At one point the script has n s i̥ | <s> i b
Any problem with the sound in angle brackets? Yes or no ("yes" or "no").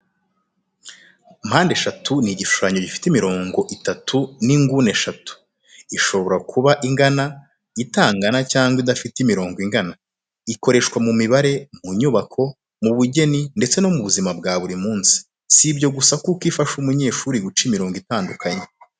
no